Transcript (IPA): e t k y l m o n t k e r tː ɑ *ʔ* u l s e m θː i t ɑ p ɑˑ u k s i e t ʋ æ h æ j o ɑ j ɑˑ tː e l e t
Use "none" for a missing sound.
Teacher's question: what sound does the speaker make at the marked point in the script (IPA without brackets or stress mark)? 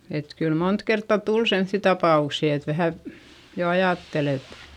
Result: t